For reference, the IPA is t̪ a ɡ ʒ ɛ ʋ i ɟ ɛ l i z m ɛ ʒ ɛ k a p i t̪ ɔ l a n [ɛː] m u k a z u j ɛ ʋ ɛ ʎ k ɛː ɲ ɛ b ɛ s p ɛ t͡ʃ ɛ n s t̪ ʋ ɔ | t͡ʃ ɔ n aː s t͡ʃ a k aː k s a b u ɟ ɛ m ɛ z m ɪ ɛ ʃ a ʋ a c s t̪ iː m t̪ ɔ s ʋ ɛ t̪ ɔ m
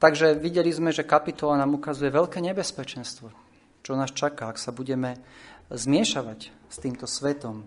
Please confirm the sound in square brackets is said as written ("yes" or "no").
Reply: no